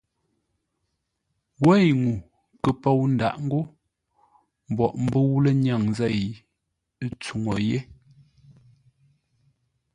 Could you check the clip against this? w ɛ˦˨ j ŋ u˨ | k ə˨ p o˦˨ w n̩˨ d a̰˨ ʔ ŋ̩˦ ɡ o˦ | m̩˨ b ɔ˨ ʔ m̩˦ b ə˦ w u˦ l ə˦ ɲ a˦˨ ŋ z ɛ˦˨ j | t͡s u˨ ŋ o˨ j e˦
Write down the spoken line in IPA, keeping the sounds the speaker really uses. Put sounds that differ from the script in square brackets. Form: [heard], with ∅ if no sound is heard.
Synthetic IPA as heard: w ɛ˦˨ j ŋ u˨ | k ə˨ p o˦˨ w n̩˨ d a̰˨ ʔ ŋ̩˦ ɡ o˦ | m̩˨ b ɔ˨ ʔ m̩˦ b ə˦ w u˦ l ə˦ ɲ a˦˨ ŋ z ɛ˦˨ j | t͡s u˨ ŋ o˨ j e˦